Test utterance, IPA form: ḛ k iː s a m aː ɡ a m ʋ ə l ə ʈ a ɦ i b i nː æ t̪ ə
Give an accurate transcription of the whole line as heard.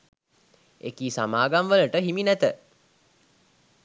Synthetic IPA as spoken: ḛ k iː s a m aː ɡ a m ʋ ə l ə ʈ ə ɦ i m i n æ t̪ ə